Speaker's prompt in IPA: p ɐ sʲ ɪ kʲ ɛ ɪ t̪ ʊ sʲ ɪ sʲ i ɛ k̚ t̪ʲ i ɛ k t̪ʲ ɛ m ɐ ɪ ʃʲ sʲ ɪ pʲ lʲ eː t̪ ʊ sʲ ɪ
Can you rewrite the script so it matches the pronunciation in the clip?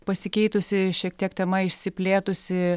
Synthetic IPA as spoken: p ɐ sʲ ɪ kʲ ɛ ɪ t̪ ʊ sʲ ɪ ʃʲ i ɛ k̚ t̪ʲ i ɛ k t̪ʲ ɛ m ɐ ɪ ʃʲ sʲ ɪ pʲ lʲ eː t̪ ʊ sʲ ɪ

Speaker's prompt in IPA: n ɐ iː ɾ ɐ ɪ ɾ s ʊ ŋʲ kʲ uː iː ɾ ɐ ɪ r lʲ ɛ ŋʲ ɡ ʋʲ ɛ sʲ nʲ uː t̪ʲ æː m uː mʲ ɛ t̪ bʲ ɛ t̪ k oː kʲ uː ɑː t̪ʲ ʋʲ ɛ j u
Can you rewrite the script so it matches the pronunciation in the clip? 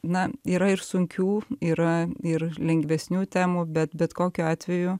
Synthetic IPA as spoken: n ɐ iː ɾ ɐ ɪ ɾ s ʊ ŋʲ kʲ uː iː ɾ ɐ ɪ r lʲ ɛ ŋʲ ɡ ʋʲ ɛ sʲ nʲ uː t̪ʲ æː m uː bʲ ɛ t̪ bʲ ɛ t̪ k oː kʲ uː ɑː t̪ʲ ʋʲ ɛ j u

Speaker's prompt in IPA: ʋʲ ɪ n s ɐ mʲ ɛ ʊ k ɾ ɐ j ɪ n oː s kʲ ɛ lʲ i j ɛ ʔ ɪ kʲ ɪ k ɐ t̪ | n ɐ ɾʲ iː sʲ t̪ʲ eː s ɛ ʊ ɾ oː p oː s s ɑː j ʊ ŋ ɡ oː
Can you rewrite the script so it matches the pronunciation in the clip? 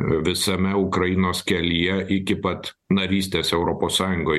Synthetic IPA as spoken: ʋʲ ɪ s ɐ mʲ ɛ ʊ k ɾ ɐ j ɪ n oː s kʲ ɛ lʲ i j ɛ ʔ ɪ kʲ ɪ p ɐ t̪ | n ɐ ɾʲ iː sʲ t̪ʲ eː s ɛ ʊ ɾ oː p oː s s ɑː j ʊ ŋ ɡ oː

